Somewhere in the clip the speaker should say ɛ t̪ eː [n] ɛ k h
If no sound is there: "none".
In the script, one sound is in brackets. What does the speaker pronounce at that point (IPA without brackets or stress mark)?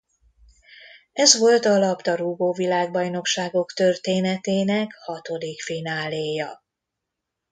n